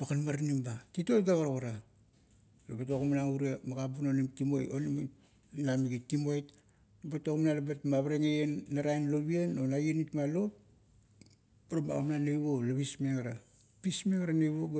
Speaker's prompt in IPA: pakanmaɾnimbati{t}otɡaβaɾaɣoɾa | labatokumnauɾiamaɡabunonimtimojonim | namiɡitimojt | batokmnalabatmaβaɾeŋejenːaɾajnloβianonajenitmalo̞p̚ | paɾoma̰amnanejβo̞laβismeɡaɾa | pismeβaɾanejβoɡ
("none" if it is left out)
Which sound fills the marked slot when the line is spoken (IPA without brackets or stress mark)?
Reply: t